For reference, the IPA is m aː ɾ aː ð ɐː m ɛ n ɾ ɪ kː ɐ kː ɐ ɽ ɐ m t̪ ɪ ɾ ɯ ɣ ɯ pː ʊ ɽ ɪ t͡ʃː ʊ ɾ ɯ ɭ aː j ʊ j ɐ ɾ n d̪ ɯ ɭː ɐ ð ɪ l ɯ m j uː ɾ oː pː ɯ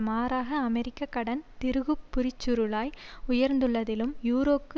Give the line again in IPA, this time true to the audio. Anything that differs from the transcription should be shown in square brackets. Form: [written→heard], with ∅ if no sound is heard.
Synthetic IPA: m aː ɾ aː [ð→ɣ] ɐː m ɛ [n→∅] ɾ ɪ kː ɐ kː ɐ ɽ ɐ [m→n] t̪ ɪ ɾ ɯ ɣ ɯ pː ʊ [ɽ→ɾ] ɪ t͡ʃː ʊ ɾ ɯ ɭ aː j ʊ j ɐ ɾ n d̪ ɯ ɭː ɐ ð ɪ l ɯ m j uː ɾ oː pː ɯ